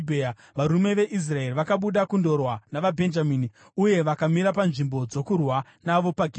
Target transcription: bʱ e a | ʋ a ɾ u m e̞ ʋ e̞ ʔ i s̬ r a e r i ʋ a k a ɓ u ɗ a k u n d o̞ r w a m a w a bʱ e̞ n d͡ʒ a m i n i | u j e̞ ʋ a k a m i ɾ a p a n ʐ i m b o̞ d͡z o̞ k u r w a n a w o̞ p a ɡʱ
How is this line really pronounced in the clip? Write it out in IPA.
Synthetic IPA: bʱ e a | ʋ a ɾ u m e̞ ʋ e̞ ʔ i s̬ r a e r i ʋ a k a ɓ u ɗ a k u n d o̞ r w a n a ʋ a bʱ e̞ n d͡ʒ a m i n i | u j e̞ ʋ a k a m i ɾ a p a n ʐ i m b o̞ d͡z o̞ k u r w a n a ʋ o̞ p a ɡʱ